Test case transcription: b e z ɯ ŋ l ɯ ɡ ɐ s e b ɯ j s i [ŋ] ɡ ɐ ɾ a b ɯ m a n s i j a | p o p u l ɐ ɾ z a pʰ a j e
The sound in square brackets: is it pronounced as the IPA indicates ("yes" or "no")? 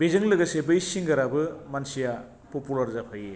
yes